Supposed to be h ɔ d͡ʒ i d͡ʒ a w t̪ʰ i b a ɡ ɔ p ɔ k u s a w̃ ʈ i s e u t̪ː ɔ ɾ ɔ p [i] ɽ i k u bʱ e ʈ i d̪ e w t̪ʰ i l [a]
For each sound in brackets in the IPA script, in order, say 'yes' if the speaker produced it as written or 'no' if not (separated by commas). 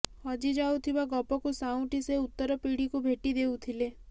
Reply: yes, no